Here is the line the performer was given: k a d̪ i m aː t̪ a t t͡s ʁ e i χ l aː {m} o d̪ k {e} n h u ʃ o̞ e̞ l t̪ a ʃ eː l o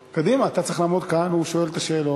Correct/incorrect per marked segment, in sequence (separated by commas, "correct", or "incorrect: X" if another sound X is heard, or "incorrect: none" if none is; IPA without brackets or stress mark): correct, incorrect: a